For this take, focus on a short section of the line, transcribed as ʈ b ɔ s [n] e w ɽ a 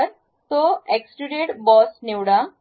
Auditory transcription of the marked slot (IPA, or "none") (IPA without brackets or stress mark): n